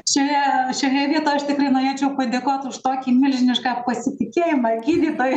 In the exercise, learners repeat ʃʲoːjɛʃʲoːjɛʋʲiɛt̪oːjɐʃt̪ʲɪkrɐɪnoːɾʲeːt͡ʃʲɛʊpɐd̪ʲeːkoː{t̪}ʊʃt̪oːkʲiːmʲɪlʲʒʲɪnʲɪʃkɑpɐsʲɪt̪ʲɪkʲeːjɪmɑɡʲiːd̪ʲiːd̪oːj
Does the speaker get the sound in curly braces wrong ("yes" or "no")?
no